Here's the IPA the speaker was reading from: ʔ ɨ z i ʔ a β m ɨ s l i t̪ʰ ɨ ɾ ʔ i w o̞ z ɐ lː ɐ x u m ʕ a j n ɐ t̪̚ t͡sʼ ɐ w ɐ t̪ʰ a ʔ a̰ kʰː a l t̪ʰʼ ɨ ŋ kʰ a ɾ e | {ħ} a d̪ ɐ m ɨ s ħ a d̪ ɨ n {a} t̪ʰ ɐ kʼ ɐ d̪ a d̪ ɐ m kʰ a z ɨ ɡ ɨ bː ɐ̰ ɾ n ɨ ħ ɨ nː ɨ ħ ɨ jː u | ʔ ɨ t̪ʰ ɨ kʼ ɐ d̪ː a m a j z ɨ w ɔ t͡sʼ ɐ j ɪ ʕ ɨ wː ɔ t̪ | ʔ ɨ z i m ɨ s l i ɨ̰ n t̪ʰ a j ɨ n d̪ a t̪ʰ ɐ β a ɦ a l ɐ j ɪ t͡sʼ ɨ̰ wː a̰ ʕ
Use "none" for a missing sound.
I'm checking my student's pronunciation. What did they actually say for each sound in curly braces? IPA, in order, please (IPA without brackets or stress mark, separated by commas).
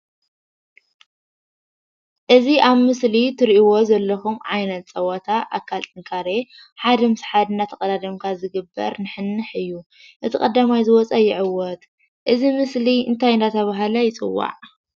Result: ħ, a